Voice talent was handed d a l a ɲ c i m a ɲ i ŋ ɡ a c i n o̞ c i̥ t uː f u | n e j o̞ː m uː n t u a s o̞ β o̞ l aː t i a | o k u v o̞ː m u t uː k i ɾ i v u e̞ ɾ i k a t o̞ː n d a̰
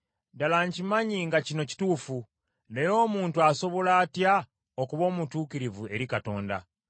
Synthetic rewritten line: d a l a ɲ c i m a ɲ i ŋ ɡ a c i n o̞ c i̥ t uː f u | n e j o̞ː m uː n t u a s o̞ β o̞ l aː t j a | o k u β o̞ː m u t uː k i ɾ i v u e̞ ɾ i k a t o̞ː n d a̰